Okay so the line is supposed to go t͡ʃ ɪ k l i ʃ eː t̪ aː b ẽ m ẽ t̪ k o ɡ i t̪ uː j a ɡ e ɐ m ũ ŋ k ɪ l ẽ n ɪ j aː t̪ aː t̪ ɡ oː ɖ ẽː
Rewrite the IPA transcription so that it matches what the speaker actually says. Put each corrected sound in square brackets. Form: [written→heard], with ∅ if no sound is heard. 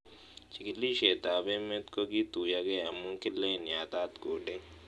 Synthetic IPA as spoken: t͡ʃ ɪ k l i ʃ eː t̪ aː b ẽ m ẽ t̪ k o ɡ i t̪ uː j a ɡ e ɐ m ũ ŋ k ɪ l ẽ n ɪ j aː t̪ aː t̪ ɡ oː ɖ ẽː